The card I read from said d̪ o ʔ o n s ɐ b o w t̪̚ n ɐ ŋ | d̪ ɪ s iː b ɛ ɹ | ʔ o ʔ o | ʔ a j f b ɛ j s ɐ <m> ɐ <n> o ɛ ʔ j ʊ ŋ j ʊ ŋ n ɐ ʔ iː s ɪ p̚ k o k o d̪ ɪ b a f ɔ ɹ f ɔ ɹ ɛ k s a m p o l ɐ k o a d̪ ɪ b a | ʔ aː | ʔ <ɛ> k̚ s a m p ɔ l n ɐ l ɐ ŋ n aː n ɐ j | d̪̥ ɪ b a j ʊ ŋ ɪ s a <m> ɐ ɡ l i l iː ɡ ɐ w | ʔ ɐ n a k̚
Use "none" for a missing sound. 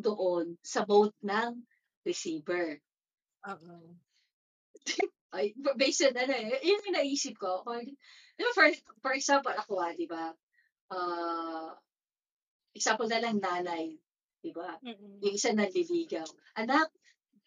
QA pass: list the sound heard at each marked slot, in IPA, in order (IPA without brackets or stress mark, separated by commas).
n, n, ɛ, n